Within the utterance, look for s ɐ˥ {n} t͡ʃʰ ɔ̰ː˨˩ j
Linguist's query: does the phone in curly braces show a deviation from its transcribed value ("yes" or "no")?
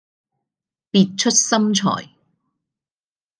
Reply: yes